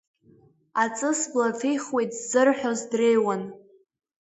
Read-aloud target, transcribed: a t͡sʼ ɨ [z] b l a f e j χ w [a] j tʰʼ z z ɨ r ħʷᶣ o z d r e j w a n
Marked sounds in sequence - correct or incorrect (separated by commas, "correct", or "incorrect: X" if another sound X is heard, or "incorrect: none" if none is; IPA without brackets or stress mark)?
incorrect: s, incorrect: e